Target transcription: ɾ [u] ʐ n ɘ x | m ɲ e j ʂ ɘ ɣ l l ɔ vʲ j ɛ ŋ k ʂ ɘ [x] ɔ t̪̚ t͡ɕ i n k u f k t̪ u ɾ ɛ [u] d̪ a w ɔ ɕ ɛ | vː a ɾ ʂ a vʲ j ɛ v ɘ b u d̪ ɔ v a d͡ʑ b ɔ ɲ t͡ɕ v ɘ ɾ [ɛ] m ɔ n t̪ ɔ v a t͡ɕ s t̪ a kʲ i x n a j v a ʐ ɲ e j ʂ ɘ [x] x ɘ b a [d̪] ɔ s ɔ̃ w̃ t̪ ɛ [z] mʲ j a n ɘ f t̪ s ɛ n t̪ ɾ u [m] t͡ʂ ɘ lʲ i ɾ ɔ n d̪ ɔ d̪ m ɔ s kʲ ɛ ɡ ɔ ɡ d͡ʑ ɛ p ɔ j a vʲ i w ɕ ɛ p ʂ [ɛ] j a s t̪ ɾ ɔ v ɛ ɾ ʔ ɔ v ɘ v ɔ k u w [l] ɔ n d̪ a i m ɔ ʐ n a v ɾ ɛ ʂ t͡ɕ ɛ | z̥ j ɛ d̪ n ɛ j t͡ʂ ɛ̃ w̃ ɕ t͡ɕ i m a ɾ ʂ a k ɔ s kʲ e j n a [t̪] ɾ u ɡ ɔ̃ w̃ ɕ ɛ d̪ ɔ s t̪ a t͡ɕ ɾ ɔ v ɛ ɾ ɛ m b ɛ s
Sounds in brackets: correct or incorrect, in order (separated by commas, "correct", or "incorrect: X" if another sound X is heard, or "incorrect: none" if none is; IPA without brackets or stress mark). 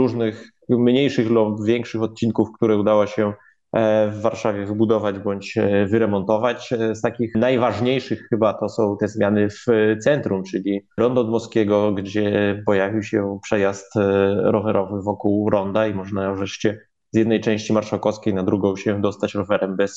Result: correct, correct, correct, correct, correct, incorrect: t̪, correct, correct, correct, incorrect: ɾ, incorrect: d̪